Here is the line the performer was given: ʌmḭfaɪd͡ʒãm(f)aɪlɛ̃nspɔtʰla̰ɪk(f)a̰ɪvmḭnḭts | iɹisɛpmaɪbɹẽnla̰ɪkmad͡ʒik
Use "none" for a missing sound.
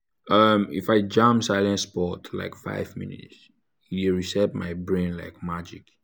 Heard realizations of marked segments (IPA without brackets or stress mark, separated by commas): s, f